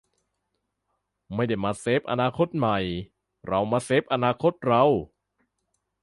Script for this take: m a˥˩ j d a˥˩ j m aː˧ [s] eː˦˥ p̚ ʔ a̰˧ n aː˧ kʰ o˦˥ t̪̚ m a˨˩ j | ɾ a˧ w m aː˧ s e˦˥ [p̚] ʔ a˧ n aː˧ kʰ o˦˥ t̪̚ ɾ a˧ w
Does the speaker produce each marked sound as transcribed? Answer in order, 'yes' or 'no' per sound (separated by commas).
yes, yes